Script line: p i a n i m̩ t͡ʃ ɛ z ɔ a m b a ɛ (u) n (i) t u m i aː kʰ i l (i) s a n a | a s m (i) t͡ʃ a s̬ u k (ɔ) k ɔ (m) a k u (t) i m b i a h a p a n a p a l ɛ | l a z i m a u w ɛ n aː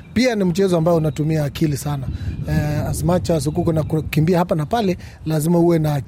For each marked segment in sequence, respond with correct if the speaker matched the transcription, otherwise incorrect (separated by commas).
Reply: correct, incorrect, correct, incorrect, incorrect, incorrect, incorrect